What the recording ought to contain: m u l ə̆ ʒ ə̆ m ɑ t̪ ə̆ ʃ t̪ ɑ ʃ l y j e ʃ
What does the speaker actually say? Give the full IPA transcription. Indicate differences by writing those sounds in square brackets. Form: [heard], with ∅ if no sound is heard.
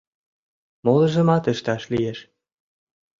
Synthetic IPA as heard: m [o] l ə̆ ʒ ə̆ m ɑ t̪ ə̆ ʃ t̪ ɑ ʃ l [i] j e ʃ